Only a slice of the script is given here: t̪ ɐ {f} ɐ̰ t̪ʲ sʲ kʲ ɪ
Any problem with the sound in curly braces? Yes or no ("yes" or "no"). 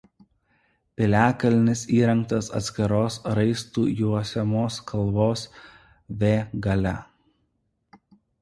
yes